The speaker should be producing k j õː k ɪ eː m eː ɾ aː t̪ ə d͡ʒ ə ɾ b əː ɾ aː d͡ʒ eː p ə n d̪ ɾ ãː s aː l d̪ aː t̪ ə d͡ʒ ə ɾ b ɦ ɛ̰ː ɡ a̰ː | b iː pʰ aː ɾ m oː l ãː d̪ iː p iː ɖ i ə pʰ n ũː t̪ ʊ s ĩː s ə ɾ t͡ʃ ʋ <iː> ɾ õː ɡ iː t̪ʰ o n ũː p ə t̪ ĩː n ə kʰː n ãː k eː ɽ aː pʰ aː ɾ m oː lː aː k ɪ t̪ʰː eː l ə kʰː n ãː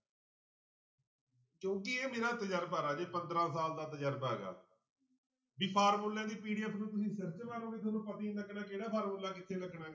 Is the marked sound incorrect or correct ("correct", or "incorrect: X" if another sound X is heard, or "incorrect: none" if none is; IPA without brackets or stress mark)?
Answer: incorrect: aː